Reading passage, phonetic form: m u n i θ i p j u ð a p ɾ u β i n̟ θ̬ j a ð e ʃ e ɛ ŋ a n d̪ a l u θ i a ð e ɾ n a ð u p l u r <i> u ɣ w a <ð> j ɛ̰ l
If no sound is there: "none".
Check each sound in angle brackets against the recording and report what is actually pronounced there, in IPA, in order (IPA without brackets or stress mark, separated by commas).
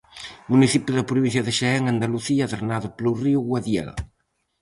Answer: i, ð